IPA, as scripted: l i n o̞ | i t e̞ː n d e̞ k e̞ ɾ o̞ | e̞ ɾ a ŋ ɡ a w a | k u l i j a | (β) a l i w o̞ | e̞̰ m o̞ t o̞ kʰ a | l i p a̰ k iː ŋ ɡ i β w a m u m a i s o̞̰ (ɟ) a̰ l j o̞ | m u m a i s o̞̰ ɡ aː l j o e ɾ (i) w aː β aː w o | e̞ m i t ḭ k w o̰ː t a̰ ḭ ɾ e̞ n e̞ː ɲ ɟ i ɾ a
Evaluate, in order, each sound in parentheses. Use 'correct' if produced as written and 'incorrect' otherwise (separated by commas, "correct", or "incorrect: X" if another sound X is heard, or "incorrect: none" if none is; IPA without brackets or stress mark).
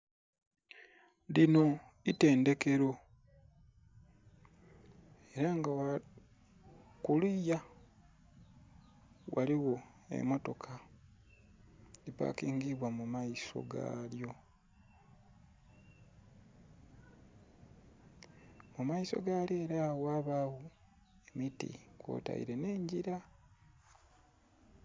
incorrect: w, incorrect: ɡ, incorrect: a